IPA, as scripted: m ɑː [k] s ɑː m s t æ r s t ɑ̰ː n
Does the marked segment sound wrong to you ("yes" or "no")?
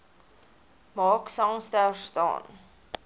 no